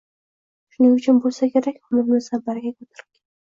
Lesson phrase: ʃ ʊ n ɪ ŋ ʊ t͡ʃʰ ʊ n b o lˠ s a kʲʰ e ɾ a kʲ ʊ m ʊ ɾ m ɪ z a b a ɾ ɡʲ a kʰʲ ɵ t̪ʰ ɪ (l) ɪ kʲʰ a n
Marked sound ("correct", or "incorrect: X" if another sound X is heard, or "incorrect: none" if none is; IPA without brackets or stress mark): incorrect: ɾ